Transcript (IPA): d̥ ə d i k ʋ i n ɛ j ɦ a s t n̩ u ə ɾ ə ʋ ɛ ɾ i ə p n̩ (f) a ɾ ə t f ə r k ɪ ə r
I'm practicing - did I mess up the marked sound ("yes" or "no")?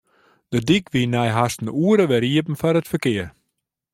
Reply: no